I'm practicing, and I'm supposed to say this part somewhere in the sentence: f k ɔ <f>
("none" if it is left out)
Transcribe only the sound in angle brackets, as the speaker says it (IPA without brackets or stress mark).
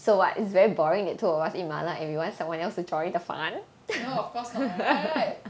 s